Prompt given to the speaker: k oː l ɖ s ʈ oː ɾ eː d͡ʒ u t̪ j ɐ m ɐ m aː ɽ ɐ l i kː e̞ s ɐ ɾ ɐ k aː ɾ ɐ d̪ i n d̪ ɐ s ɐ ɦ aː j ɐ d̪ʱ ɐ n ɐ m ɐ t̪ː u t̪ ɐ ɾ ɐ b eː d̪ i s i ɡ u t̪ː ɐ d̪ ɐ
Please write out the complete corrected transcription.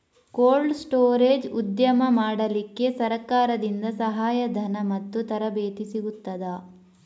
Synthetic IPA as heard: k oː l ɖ s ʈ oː ɾ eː d͡ʒ u d̪ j ɐ m ɐ m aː ɽ ɐ l i kː e̞ s ɐ ɾ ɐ k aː ɾ ɐ d̪ i n d̪ ɐ s ɐ ɦ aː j ɐ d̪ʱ ɐ n ɐ m ɐ t̪ː u t̪ ɐ ɾ ɐ b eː t̪ i s i ɡ u t̪ː ɐ d̪ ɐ